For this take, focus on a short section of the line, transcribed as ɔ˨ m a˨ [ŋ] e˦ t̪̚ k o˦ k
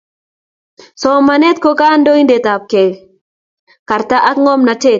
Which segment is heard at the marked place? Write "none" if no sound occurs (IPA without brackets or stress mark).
n